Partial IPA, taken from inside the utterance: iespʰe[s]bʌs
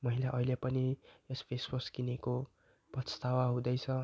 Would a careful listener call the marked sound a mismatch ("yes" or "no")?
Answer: no